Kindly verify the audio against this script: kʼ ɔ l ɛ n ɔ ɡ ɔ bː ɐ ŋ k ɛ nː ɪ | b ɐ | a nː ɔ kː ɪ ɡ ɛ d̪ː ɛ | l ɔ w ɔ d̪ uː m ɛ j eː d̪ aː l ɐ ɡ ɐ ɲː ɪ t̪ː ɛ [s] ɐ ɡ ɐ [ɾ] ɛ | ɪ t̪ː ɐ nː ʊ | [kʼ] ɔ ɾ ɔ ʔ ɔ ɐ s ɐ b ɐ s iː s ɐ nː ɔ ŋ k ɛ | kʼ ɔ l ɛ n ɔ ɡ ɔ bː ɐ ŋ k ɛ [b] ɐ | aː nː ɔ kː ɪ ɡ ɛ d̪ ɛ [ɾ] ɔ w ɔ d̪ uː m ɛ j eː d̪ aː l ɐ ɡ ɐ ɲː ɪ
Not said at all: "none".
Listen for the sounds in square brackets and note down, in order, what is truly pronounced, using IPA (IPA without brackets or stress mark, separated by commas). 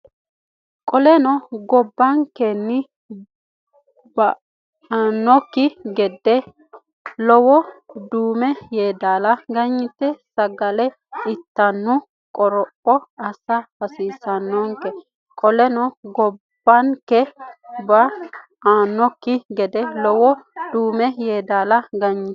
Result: s, l, kʼ, b, l